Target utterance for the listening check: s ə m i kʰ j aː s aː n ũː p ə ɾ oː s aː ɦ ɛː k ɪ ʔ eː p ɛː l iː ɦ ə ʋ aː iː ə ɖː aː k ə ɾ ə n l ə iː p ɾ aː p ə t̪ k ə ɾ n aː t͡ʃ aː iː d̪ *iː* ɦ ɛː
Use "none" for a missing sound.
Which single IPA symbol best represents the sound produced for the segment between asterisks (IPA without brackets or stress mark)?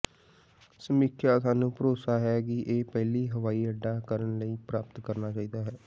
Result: aː